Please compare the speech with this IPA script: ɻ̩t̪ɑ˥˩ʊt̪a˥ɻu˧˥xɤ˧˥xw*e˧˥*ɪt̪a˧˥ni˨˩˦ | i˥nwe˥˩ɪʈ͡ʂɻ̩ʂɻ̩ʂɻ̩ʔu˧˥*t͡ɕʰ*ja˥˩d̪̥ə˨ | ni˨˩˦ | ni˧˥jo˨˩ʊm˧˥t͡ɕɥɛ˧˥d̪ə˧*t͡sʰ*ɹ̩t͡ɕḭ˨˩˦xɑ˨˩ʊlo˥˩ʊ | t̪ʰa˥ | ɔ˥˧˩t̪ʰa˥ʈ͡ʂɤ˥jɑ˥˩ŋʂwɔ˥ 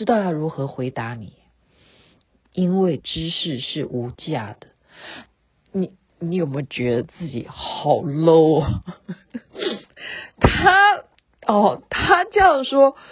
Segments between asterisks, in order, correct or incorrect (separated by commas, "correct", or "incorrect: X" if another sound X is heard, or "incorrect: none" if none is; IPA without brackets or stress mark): correct, incorrect: t͡ɕ, incorrect: t͡s